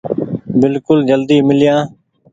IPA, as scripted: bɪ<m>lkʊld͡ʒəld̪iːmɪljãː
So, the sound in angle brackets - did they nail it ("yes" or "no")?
no